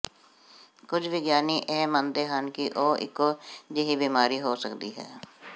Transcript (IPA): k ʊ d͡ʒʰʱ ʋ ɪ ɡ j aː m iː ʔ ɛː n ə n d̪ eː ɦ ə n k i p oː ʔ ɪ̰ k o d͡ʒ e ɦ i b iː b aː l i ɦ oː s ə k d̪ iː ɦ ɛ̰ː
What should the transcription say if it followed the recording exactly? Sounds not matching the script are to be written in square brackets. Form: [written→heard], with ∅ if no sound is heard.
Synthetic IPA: k ʊ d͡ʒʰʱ ʋ ɪ ɡ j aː [m→n] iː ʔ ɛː [n→m] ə n d̪ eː ɦ ə n k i [p→ʔ] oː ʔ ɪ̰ k o d͡ʒ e ɦ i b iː [b→m] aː [l→ɾ] i ɦ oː s ə k d̪ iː ɦ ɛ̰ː